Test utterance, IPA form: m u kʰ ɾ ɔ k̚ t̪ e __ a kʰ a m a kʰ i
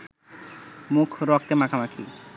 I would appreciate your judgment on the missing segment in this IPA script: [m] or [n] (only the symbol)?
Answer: m